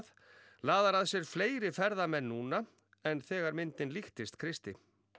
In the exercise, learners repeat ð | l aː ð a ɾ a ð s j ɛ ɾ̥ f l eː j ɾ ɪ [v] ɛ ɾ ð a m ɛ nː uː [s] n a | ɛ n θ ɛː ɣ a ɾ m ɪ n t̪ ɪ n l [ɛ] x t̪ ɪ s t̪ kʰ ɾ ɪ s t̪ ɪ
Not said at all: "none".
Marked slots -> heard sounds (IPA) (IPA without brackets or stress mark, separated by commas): f, none, i